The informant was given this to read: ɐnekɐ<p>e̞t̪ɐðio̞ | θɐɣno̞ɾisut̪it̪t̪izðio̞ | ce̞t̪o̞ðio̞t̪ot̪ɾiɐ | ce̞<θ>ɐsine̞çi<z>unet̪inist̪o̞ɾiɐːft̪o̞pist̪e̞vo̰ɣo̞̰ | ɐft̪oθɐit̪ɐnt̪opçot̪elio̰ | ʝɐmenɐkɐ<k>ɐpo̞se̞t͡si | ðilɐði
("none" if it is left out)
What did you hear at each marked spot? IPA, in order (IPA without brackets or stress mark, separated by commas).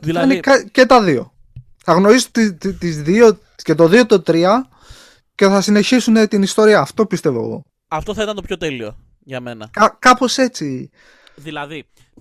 c, θ, s, k